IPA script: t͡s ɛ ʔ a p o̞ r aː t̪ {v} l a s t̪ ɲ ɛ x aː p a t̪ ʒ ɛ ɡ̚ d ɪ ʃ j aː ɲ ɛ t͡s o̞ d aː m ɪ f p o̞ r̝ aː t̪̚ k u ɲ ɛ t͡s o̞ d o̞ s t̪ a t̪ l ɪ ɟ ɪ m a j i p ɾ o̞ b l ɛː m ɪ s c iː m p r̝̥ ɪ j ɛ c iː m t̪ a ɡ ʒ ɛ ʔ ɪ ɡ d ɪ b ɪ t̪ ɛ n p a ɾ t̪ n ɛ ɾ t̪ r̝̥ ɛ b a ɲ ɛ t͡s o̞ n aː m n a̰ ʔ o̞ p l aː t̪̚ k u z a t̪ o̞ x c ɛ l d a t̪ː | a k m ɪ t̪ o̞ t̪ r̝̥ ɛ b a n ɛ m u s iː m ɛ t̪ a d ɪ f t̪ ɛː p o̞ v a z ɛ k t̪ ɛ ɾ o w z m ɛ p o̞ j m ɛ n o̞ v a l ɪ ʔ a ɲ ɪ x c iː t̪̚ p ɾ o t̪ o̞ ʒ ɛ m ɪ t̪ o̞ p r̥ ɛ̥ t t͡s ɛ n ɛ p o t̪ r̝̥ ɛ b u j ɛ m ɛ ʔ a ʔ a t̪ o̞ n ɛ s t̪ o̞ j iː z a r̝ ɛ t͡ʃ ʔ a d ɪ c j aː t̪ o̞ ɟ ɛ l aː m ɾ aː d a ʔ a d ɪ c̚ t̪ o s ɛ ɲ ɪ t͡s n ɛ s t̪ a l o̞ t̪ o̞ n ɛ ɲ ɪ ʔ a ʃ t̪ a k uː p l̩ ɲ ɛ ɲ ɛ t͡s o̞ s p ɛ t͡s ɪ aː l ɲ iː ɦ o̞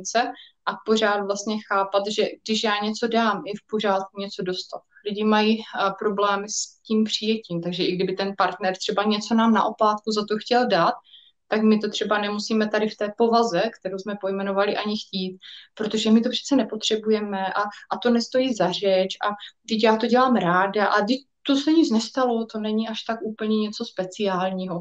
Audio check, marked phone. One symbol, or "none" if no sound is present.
v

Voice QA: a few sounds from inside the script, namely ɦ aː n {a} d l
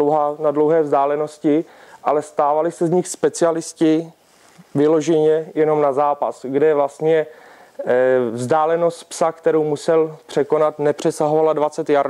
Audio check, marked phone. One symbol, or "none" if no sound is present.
a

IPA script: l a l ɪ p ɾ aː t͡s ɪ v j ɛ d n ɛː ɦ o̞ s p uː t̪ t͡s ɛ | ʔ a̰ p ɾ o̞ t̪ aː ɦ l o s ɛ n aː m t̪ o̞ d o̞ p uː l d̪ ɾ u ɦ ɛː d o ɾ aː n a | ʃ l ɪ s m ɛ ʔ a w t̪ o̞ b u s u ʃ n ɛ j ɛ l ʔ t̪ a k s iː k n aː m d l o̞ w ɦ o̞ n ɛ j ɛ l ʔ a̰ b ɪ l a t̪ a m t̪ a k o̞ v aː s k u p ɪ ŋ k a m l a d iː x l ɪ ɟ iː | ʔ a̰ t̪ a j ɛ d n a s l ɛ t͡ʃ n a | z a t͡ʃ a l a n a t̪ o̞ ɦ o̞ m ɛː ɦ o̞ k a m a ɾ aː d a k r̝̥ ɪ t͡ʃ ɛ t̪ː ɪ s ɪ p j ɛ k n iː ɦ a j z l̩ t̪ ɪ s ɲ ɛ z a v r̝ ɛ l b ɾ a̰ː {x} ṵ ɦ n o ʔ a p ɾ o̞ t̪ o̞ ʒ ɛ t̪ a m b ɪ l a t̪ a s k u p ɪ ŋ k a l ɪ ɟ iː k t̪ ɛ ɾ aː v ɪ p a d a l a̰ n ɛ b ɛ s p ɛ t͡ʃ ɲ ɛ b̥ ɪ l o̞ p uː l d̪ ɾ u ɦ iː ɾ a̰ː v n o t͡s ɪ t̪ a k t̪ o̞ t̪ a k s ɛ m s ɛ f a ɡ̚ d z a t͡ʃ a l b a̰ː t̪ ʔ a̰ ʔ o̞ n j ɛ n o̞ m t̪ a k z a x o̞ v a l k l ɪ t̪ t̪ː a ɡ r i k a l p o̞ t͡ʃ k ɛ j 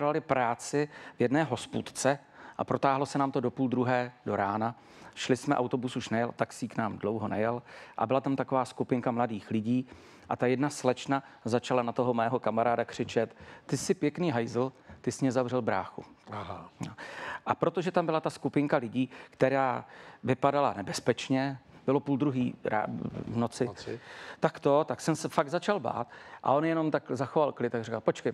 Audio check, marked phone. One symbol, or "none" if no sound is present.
x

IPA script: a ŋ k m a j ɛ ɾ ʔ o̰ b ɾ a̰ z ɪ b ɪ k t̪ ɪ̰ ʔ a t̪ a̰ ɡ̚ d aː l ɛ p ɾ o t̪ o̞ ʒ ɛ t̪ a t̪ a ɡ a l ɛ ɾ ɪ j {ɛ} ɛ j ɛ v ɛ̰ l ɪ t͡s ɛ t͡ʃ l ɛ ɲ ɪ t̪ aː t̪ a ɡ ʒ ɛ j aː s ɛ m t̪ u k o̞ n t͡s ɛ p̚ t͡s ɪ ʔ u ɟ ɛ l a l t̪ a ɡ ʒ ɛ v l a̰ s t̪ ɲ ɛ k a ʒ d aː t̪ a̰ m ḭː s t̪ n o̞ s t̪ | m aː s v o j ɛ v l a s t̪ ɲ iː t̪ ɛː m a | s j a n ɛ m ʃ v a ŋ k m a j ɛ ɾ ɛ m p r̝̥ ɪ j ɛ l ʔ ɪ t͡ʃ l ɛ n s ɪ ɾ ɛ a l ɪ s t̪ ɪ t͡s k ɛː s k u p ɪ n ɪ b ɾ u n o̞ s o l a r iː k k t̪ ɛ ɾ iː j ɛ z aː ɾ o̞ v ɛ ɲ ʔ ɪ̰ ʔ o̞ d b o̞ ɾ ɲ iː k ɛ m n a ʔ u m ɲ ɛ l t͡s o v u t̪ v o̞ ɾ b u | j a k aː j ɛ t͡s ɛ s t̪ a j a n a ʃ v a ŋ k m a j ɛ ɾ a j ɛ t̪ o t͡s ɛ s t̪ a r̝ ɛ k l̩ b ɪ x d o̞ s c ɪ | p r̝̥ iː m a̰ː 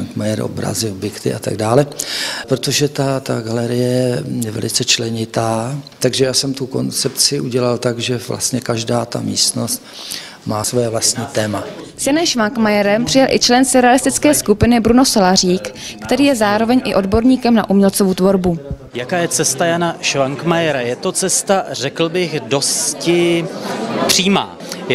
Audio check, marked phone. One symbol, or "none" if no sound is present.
ɛ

